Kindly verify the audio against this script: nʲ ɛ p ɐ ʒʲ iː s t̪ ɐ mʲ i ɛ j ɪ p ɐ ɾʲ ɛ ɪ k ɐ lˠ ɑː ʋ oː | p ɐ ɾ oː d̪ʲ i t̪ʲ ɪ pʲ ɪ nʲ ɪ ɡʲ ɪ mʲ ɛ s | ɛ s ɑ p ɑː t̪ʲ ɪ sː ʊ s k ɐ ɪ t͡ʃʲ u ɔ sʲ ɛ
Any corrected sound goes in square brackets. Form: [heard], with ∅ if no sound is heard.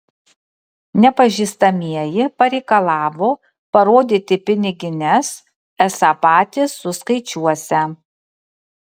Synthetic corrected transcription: nʲ ɛ p ɐ ʒʲ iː s t̪ ɐ mʲ i ɛ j ɪ p ɐ ɾʲ ɛ ɪ k ɐ lˠ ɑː ʋ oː | p ɐ ɾ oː d̪ʲ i t̪ʲ ɪ pʲ ɪ nʲ ɪ ɡʲ ɪ [nʲ] ɛ s | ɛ s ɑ p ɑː t̪ʲ ɪ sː ʊ s k ɐ ɪ t͡ʃʲ u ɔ sʲ ɛ